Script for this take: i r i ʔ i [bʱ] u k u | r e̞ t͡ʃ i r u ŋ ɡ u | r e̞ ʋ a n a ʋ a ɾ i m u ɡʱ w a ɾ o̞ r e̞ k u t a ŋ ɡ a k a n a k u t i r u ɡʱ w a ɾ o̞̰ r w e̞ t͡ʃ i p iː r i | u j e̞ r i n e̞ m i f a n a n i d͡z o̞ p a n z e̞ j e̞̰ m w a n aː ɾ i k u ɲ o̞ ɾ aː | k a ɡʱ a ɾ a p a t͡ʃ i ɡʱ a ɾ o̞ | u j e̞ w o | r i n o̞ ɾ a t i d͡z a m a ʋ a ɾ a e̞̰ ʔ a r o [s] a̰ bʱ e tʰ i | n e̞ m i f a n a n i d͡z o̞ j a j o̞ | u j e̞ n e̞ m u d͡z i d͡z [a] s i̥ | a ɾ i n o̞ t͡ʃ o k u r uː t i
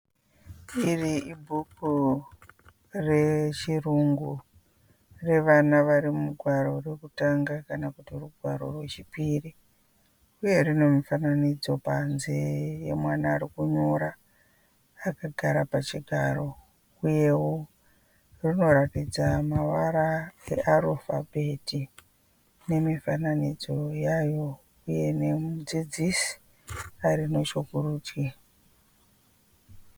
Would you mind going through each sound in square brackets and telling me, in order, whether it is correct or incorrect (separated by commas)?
correct, incorrect, incorrect